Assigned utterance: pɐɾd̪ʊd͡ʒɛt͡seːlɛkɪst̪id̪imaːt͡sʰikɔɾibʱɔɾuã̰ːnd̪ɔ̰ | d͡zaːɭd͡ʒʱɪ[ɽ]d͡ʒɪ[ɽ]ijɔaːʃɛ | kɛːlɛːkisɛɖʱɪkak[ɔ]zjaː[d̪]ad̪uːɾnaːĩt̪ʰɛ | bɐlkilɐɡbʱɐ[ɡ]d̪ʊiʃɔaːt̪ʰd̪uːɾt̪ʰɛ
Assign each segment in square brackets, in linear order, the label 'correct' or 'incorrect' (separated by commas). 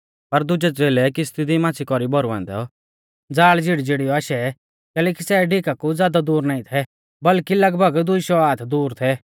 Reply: correct, correct, incorrect, correct, correct